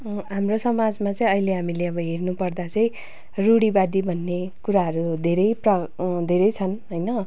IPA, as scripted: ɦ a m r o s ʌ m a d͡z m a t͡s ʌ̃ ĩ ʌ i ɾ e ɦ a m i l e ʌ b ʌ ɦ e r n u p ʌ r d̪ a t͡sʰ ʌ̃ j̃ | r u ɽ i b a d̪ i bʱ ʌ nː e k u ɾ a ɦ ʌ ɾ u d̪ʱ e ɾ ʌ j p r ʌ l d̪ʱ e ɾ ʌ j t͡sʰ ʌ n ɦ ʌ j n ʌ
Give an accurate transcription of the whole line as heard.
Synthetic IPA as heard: ɦ a m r o s ʌ m a d͡z m a t͡s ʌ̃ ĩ ʌ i l e ɦ a m i l e ʌ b ʌ ɦ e r n u p ʌ r d̪ a t͡s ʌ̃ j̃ | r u ɽ i b a d̪ i bʱ ʌ nː e k u ɾ a ɦ ʌ ɾ u d̪ʱ e ɾ ʌ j p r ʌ d̪ʱ e ɾ ʌ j t͡sʰ ʌ n ɦ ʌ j n ʌ

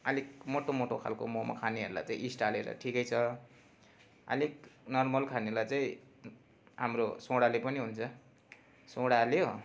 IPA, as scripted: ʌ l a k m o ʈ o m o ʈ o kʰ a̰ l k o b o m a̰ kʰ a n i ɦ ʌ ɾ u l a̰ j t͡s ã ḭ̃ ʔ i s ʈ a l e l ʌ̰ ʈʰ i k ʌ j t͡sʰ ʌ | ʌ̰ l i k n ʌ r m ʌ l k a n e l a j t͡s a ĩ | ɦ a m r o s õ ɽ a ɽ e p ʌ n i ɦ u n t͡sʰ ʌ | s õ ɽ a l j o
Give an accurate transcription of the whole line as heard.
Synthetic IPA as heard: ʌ l i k m o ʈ o m o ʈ o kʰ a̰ l k o m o m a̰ kʰ a n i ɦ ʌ ɾ u l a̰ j t͡s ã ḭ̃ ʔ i s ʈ a l e ɾ ʌ̰ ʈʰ i k ʌ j t͡sʰ ʌ | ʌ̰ l i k n ʌ r m ʌ l kʰ a n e l a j t͡s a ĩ | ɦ a m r o s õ ɽ a l e p ʌ n i ɦ u n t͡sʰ ʌ | s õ ɽ a l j o

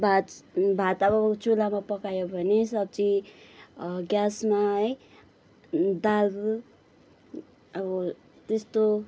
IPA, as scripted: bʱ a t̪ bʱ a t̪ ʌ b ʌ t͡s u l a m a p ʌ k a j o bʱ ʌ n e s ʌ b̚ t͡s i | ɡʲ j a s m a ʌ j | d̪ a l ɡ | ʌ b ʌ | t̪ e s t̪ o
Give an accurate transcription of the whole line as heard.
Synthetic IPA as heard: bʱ a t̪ bʱ a t̪ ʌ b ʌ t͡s u l a m a p ʌ k a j o bʱ ʌ n e s ʌ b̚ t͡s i | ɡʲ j a s m a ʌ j | d̪ a l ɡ | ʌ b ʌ | t̪ e s t̪ o

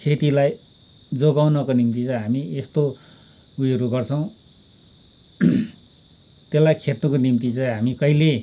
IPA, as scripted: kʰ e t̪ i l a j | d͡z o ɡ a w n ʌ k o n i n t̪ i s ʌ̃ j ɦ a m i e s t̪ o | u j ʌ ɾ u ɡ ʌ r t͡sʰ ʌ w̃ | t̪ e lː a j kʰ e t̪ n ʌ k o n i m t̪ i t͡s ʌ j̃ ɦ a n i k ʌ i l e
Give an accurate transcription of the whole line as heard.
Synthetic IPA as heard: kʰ e t̪ i l a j | d͡z o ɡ a w n ʌ k o n i m t̪ i t͡s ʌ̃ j ɦ a m i e s t̪ o | u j ʌ ɾ u ɡ ʌ r t͡sʰ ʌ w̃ | t̪ e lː a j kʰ e t̪ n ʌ k o n i m t̪ i t͡s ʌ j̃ ɦ a m i k ʌ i l e

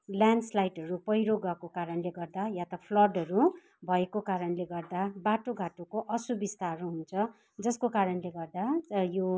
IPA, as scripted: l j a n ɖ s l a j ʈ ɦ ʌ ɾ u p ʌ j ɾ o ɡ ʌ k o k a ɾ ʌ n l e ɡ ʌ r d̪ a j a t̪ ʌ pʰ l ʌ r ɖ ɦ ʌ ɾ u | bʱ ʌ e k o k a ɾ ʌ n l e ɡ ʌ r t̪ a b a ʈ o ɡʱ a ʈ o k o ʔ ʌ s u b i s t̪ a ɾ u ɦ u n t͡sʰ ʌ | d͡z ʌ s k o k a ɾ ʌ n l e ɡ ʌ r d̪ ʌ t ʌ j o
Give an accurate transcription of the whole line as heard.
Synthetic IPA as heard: l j a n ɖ s l a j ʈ ɦ ʌ ɾ u p ʌ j ɾ o ɡ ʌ k o k a ɾ ʌ n l e ɡ ʌ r d̪ a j a t̪ ʌ pʰ l ʌ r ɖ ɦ ʌ ɾ u | bʱ ʌ e k o k a ɾ ʌ n l e ɡ ʌ r d̪ a b a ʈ o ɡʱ a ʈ o k o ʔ ʌ s u b i s t̪ a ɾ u ɦ u n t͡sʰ ʌ | d͡z ʌ s k o k a ɾ ʌ n l e ɡ ʌ r d̪ a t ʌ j o

